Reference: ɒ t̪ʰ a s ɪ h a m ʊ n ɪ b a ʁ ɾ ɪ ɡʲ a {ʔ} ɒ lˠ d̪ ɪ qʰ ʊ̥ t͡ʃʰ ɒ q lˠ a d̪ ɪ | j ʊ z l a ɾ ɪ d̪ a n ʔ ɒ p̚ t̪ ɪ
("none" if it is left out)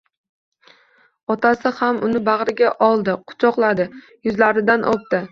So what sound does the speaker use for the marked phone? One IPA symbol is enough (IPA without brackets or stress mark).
ʔ